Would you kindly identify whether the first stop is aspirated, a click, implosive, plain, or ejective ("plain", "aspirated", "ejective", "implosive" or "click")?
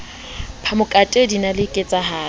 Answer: aspirated